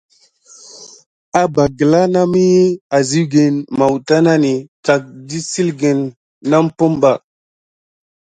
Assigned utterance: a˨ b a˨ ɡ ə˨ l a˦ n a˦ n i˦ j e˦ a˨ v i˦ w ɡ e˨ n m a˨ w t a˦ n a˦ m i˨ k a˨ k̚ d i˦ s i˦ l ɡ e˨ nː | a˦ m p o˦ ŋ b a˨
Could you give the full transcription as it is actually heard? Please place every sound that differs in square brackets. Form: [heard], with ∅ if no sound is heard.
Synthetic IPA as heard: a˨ b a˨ ɡ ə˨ l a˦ n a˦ [m] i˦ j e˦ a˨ [z] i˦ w ɡ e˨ n m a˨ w t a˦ n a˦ [n] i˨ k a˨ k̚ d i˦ s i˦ l ɡ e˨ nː | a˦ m p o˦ [m] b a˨